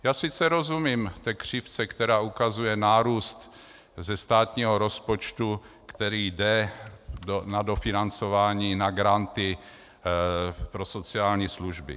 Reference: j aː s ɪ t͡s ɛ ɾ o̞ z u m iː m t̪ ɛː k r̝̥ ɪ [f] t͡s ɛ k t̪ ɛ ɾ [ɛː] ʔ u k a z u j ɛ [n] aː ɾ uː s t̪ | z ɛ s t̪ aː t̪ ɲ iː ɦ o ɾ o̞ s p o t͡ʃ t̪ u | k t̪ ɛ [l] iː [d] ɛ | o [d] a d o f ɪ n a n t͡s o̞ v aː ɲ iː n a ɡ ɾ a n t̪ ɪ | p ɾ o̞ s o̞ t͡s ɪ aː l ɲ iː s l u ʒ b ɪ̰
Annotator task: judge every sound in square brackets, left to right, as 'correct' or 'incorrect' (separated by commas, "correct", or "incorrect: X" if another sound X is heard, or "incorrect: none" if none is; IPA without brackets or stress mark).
correct, incorrect: aː, correct, incorrect: ɾ, correct, incorrect: n